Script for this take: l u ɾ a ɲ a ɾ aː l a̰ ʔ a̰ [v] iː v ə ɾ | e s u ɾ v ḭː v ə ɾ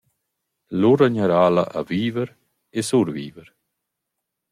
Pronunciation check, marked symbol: correct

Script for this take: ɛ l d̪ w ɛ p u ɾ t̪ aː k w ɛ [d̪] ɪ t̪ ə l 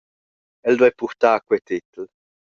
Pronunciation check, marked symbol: incorrect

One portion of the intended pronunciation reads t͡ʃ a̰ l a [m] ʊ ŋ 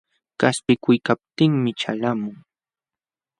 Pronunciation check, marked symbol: correct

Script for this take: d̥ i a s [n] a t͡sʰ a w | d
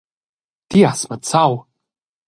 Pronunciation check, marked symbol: incorrect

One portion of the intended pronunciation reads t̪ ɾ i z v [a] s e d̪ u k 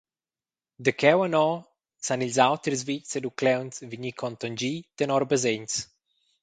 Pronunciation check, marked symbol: incorrect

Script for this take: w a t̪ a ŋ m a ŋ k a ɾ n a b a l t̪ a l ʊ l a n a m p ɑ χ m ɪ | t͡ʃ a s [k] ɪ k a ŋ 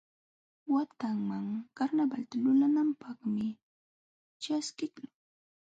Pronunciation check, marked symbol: correct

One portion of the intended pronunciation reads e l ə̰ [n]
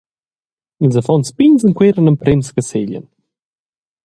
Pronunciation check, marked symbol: correct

